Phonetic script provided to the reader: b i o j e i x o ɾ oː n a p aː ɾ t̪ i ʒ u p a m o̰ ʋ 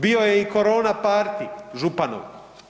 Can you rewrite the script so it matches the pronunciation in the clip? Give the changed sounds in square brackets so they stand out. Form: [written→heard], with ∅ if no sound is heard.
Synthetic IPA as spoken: b i o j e i [x→k] o ɾ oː n a p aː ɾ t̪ i ʒ u p a [m→n] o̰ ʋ